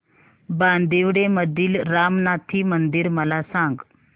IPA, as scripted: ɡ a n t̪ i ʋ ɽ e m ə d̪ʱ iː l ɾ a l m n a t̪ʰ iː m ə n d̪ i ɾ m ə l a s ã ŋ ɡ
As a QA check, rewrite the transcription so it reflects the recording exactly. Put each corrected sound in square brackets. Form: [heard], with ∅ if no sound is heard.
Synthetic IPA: [b] a n [d̪] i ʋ ɽ e m ə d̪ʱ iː l ɾ a [∅] m n a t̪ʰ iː m ə n d̪ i ɾ m ə l a s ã ŋ ɡ